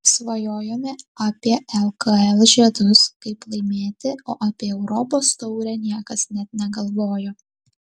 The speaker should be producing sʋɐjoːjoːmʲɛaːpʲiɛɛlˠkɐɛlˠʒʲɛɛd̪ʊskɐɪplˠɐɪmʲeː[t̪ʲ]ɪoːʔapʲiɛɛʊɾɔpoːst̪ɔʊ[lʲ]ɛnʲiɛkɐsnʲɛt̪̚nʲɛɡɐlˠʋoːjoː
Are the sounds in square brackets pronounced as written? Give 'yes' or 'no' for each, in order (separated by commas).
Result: yes, no